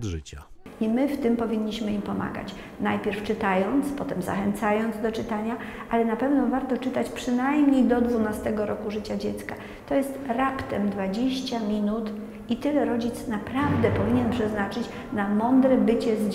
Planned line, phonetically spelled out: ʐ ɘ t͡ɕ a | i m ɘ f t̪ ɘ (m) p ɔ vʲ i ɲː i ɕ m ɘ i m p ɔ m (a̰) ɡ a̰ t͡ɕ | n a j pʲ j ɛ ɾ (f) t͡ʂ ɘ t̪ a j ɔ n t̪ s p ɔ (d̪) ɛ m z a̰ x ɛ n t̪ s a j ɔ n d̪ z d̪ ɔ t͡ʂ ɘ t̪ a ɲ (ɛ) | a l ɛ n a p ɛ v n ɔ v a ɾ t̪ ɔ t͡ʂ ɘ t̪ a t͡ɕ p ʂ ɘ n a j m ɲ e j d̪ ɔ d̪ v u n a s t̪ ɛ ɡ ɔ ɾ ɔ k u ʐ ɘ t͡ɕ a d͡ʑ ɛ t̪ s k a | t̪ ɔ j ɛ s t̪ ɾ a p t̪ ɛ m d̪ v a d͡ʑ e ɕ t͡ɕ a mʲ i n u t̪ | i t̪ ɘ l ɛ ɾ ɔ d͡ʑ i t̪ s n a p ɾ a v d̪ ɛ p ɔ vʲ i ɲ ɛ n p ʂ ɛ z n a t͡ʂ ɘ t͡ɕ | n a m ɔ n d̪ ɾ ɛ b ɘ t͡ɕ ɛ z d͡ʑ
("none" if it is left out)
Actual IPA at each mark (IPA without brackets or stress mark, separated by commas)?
m, a̰, f, t̪, a